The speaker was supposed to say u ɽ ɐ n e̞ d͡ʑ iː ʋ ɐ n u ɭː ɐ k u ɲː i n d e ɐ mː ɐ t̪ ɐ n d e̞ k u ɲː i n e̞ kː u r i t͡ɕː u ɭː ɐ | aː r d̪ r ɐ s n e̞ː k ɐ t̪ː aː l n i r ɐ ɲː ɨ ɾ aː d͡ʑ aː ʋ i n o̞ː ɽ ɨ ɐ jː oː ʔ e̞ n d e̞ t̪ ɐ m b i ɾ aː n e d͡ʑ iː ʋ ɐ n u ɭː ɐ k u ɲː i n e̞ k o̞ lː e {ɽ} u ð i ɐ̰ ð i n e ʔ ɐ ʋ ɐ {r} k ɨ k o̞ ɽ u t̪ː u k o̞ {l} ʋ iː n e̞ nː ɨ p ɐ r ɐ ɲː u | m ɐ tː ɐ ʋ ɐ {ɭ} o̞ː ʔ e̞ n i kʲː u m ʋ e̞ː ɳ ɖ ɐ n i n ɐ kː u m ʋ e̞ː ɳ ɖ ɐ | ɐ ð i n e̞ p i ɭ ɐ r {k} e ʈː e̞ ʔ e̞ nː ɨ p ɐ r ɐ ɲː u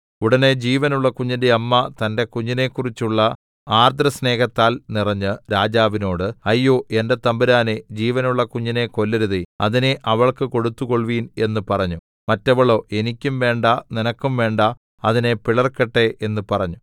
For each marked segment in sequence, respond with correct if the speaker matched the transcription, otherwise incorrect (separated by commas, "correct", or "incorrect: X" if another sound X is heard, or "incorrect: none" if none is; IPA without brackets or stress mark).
incorrect: ɾ, incorrect: ɭ, incorrect: ɭ, correct, correct